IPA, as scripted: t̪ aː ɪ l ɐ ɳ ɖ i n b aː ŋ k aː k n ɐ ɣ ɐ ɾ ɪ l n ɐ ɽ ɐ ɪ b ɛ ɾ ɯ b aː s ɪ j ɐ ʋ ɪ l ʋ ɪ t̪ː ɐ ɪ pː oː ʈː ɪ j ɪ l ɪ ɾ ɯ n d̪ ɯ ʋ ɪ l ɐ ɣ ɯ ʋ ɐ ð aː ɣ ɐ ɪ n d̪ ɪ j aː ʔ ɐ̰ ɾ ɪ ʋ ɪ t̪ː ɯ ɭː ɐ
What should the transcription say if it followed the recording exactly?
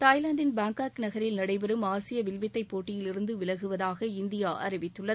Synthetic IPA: t̪ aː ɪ l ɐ ɳ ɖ ɪ n b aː ŋ k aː k n ɐ ɣ ɐ ɾ ɪ l n ɐ ɽ ɐ ɪ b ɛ ɾ ɯ m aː s ɪ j ɐ ʋ ɪ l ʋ ɪ t̪ː ɐ ɪ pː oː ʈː ɪ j ɪ l ɪ ɾ ɯ n d̪ ɯ ʋ ɪ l ɐ ɣ ɯ ʋ ɐ ð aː ɣ ɐ ɪ n d̪ ɪ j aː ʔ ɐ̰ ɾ ɪ ʋ ɪ t̪ː ɯ ɭː ɐ